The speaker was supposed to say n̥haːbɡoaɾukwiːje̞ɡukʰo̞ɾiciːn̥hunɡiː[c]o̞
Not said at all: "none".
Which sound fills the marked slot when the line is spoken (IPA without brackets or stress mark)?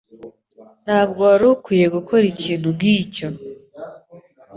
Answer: c